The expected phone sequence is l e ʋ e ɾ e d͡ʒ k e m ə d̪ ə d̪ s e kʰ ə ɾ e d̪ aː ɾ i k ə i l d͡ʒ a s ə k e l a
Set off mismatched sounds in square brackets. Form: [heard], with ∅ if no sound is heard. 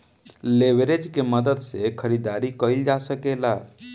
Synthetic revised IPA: l e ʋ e ɾ e d͡ʒ k e m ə d̪ ə d̪ s e kʰ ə ɾ [i] d̪ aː ɾ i k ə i l d͡ʒ a s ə k e l a